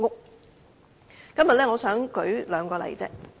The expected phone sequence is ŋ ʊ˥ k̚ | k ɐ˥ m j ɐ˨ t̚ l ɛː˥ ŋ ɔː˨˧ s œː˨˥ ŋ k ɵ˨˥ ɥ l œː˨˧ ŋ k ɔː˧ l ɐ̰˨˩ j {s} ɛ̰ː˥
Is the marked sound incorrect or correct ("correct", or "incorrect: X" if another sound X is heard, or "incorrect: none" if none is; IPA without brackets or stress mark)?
incorrect: t͡s